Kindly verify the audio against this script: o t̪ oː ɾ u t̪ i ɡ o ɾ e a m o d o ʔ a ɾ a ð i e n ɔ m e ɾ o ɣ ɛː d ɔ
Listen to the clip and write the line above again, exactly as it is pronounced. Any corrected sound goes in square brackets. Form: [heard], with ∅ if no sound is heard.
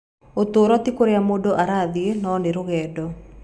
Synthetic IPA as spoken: o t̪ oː ɾ [ɔ] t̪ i [k] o ɾ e a m o d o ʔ a ɾ a ð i e n ɔ [n] e ɾ o ɣ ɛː d ɔ